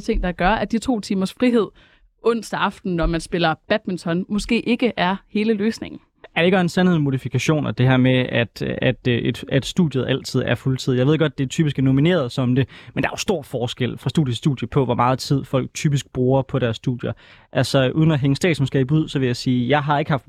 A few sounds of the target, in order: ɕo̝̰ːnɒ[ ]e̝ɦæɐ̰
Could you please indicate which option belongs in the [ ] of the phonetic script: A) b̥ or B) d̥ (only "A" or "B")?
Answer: B